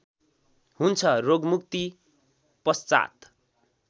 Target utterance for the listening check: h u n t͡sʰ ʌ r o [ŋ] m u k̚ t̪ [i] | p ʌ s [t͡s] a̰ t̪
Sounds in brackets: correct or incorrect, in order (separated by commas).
incorrect, correct, correct